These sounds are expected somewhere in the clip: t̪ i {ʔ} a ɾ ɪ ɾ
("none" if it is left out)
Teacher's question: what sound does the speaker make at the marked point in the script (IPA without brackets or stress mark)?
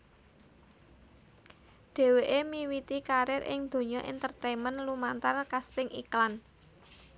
k